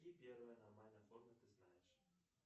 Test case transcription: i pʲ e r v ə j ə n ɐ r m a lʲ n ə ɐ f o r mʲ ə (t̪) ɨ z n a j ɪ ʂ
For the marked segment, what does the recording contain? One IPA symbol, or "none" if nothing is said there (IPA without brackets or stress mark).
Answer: t̪